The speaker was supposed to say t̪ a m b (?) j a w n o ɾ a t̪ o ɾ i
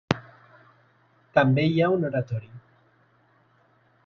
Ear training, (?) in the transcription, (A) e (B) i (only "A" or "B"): A